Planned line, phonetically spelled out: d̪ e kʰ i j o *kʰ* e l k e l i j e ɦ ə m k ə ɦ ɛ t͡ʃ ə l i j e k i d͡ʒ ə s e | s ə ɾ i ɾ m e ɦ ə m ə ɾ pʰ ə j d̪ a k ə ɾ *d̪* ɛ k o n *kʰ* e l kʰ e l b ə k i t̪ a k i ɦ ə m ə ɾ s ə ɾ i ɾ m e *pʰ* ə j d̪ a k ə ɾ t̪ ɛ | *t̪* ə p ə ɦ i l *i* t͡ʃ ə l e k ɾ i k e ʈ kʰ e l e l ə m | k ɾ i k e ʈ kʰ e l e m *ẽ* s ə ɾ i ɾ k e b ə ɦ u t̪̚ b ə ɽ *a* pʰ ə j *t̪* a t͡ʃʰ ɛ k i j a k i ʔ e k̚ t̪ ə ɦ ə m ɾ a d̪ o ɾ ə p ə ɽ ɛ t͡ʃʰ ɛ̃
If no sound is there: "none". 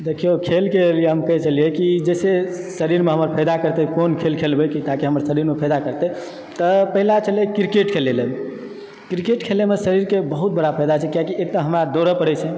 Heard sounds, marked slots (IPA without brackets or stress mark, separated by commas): kʰ, t̪, kʰ, pʰ, t̪, a, e, a, d̪